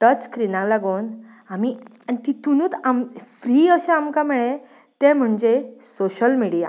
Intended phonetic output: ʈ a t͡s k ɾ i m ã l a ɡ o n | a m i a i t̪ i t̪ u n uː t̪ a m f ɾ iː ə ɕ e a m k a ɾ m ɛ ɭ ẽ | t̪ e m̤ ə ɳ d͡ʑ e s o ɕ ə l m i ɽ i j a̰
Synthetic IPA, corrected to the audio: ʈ ə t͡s k ɾ i n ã l a ɡ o n | a m i a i t̪ i t̪ u n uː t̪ a m f ɾ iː ə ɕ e a m k a m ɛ ɭ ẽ | t̪ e m̤ ə ɳ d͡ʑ e s o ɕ ə l m i ɽ i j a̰